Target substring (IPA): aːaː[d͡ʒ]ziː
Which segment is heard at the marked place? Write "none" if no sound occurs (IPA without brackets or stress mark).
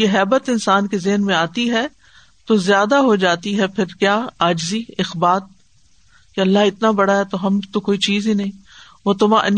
d͡ʒ